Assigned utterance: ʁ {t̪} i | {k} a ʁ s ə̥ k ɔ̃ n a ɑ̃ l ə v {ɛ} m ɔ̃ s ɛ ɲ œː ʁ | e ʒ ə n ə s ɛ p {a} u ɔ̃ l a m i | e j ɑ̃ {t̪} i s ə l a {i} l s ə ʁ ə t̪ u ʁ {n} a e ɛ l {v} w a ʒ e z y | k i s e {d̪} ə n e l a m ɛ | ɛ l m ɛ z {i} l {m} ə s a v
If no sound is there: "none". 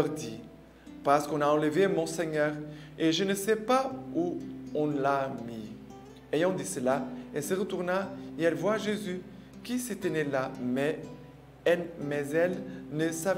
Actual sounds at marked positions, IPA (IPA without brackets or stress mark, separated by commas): d̪, p, e, a, d̪, ɛ, n, v, t̪, ɛ, n